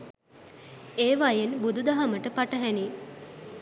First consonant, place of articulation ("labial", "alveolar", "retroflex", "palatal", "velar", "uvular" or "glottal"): labial